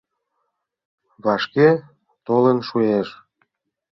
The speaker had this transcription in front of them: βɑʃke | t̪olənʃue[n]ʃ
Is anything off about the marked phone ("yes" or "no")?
yes